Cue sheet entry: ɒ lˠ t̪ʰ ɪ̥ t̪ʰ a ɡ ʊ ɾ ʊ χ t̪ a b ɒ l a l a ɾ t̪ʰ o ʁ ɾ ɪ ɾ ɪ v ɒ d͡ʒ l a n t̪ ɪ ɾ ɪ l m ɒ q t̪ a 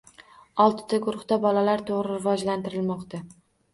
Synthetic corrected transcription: ɒ lˠ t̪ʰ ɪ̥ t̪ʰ a ɡ ʊ ɾ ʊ χ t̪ a b ɒ l a l a ɾ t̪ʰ o ʁ ɾ ɪ ɾ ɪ v ɒ d͡ʒ l a n t̪ ɪ ɾ ɪ l m ɒ q t̪ a

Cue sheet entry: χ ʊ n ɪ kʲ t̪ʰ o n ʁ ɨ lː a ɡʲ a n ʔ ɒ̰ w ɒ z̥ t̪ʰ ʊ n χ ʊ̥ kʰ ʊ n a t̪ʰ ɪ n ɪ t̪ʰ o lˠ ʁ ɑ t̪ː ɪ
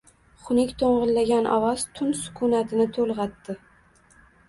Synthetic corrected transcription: χ ʊ n ɪ kʲ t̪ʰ o ɴ ʁ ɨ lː a ɡʲ a n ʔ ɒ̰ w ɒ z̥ t̪ʰ ʊ n s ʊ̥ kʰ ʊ n a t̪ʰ ɪ n ɪ t̪ʰ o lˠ ʁ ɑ t̪ː ɪ

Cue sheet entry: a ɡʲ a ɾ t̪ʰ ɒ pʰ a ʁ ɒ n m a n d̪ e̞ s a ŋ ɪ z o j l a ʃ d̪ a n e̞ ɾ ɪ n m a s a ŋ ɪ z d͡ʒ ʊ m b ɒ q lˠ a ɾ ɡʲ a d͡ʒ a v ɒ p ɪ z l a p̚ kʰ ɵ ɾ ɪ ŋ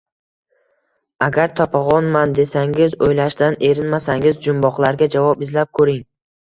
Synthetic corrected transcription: a ɡʲ a ɾ t̪ʰ ɒ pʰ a ʁ ɒ n m a n d̪ e̞ s a ŋ ɪ z o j l a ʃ d̪ a n e̞ ɾ ɪ n m a s a ŋ ɪ z d͡ʒ ʊ m b ɒ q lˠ a ɾ ɡʲ a d͡ʒ a v ɒ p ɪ z l a p̚ kʰ ɵ ɾ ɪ ŋ

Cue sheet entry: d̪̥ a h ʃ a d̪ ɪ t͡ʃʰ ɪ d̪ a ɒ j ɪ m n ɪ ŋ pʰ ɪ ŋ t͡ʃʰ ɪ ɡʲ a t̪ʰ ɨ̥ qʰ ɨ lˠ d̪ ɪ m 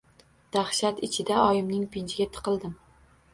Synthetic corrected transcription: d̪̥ a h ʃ a t̪ ɪ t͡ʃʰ ɪ d̪ a ɒ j ɪ m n ɪ ŋ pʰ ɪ n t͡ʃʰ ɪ ɡʲ a t̪ʰ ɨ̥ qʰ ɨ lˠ d̪ ɪ m

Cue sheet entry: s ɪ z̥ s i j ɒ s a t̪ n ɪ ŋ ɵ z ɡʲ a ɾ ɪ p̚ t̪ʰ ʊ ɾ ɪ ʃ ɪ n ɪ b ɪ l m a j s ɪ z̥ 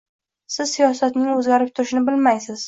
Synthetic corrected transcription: s ɪ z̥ s i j ɒ s a t̪ n ɪ ŋ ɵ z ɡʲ a ɾ ɪ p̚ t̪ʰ ʊ ɾ ɪ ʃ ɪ n ɪ b ɪ l m a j s ɪ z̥

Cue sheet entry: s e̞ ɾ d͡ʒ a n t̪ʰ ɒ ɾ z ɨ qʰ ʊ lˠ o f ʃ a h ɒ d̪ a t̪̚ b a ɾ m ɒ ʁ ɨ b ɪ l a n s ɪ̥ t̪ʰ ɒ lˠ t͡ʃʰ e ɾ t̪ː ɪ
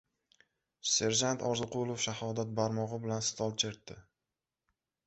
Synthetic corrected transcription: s e̞ ɾ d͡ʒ a n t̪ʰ ɒ ɾ z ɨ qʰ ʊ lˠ o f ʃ a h ɒ d̪ a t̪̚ b a ɾ m ɒ ʁ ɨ b ɪ l a n s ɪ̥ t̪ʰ ɒ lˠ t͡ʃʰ e ɾ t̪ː ɪ

